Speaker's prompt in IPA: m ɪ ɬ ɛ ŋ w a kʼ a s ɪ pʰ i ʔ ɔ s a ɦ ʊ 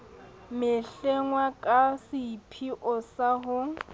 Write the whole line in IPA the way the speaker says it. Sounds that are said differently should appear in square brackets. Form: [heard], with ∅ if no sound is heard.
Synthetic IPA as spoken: m ɪ ɬ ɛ ŋ w a kʼ a s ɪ pʰ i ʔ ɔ s a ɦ ʊ